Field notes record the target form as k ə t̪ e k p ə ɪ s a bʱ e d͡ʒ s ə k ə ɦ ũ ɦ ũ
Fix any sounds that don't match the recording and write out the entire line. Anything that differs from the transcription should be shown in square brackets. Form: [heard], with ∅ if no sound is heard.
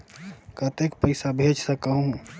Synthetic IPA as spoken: k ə t̪ e k p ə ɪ s a bʱ e d͡ʒ s ə k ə ɦ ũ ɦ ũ